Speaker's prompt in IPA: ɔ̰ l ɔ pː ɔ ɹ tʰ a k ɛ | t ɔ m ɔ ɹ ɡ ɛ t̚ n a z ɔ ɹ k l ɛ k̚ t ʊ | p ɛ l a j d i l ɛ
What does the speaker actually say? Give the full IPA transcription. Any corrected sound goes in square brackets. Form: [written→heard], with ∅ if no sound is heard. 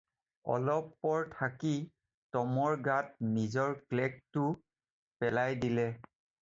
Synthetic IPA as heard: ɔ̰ l ɔ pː ɔ ɹ tʰ a k [ɛ→i] | t ɔ m ɔ ɹ ɡ [ɛ→a] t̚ n [a→i] z ɔ ɹ k l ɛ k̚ t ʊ | p ɛ l a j d i l ɛ

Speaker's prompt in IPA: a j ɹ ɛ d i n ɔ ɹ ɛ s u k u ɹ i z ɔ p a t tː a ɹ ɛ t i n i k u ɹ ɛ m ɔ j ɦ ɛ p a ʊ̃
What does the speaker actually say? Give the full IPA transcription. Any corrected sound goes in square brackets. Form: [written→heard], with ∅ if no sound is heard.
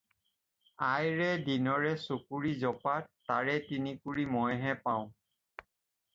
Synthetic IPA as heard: a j ɹ ɛ d i n ɔ ɹ ɛ s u k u ɹ i z ɔ p a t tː a ɹ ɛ t i n i k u ɹ [ɛ→i] m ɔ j ɦ ɛ p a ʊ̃

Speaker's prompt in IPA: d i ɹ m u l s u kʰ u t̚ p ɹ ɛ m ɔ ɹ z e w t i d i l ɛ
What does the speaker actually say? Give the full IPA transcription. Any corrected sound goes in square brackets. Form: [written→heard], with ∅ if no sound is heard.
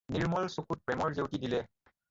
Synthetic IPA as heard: [d→n] i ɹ m [u→ɔ] l s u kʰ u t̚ p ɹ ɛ m ɔ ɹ z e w t i d i l ɛ

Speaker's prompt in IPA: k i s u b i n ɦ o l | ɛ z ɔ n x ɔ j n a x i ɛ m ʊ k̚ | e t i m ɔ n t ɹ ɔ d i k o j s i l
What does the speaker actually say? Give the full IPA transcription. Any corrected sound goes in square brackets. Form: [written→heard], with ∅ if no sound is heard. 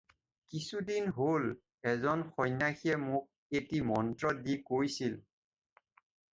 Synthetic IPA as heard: k i s u [b→d] i n ɦ o l | ɛ z ɔ n x ɔ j n a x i ɛ m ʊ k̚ | e t i m ɔ n t ɹ ɔ d i k o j s i l

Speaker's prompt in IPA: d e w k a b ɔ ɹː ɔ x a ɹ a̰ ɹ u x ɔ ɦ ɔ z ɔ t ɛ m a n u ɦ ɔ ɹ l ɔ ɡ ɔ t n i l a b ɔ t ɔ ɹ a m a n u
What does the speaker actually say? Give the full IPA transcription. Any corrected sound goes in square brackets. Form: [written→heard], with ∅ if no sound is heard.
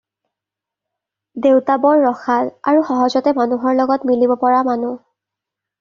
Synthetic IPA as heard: d e w [k→t] a b ɔ ɹː ɔ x a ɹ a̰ ɹ u x ɔ ɦ ɔ z ɔ t ɛ m a n u ɦ ɔ ɹ l ɔ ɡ ɔ t [n→m] i l [a→i] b ɔ [t→p] ɔ ɹ a m a n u

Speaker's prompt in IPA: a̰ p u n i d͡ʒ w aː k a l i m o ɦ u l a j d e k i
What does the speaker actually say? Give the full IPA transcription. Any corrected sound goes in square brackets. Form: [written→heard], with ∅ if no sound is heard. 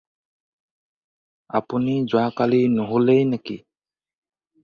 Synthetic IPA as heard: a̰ p u n i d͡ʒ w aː k a l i [m→n] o ɦ u l [a→e] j [d→n] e k i

